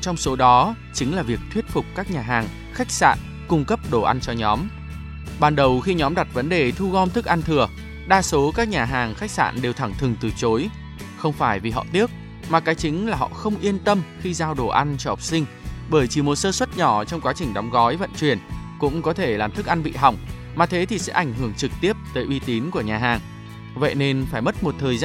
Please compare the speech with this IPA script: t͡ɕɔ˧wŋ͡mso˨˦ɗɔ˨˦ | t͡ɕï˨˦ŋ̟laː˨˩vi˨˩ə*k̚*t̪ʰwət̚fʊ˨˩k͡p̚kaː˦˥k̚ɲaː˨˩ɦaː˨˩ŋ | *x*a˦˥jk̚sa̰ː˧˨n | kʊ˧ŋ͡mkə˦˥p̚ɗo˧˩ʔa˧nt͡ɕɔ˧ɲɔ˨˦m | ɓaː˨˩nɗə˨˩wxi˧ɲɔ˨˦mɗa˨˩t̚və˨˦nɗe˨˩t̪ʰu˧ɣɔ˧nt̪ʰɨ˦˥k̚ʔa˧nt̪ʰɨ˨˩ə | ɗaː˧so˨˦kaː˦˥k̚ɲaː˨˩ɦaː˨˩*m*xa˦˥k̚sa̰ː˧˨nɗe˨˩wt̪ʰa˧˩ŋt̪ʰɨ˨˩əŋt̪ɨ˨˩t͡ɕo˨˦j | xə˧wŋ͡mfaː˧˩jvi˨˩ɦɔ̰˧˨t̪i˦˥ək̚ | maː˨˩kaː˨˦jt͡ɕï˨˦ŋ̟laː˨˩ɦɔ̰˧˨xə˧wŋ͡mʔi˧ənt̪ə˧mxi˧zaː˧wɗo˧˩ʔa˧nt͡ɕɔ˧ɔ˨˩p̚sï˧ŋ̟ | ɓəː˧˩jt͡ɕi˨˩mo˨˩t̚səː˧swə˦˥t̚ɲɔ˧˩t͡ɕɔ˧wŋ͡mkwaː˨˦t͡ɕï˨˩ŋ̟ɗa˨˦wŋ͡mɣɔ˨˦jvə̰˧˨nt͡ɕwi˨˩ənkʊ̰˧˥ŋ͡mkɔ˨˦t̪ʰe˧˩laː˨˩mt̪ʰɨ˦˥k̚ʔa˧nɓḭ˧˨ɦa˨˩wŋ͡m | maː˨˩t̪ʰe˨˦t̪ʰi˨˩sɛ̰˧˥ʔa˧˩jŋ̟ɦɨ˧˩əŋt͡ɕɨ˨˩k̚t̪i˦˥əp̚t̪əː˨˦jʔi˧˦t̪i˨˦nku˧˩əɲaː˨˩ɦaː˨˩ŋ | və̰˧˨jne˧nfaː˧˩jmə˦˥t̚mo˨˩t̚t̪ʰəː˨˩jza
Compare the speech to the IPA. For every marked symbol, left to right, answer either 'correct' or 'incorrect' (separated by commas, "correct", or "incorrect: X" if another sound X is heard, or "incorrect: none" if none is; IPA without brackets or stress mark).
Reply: correct, correct, incorrect: ŋ